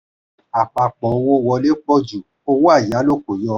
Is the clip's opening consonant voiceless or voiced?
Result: voiceless